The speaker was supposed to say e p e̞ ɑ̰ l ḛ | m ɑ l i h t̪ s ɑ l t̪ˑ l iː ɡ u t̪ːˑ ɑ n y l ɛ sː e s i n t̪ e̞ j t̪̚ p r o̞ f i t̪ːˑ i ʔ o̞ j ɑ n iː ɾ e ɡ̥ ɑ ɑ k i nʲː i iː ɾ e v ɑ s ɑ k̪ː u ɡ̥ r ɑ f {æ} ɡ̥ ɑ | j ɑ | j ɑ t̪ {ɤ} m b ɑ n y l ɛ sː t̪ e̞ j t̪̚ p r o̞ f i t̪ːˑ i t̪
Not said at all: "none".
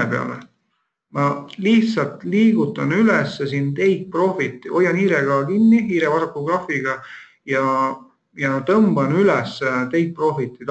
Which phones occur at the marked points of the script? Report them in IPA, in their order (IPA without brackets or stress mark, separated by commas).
i, ɤ